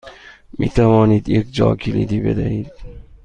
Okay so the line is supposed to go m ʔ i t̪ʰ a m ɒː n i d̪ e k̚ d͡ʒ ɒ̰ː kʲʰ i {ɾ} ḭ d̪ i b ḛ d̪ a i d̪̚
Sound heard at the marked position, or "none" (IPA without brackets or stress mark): l